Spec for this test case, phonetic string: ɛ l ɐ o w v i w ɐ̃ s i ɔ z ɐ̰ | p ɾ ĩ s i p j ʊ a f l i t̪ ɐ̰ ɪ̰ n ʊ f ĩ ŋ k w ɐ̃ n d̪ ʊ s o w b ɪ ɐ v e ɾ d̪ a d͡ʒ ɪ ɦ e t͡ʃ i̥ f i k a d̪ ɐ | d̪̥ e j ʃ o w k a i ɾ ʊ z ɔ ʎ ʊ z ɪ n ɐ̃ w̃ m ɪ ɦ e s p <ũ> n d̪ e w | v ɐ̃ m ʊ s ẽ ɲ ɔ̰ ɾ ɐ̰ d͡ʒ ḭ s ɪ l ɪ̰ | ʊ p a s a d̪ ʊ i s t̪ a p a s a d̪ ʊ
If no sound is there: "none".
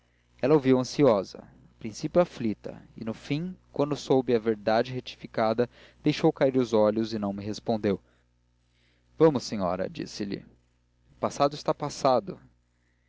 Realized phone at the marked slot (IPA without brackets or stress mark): õ